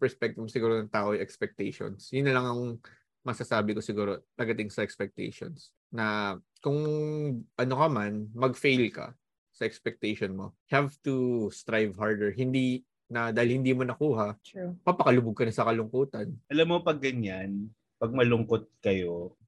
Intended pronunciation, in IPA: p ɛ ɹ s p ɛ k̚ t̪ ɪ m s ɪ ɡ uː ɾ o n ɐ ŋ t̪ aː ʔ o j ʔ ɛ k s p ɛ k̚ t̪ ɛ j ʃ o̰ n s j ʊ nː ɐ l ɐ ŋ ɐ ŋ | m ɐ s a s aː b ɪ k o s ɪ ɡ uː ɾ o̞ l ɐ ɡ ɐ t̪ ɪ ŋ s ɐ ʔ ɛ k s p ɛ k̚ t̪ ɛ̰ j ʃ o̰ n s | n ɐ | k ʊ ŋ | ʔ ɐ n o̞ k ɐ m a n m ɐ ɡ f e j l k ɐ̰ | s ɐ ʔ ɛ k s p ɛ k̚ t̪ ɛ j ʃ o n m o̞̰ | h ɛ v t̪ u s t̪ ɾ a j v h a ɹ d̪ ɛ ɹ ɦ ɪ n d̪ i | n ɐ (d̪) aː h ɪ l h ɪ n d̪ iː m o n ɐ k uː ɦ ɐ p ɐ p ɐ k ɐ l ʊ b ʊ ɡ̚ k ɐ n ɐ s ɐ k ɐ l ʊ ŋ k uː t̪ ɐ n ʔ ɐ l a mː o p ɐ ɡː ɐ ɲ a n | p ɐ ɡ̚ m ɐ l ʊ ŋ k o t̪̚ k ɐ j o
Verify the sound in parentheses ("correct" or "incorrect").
correct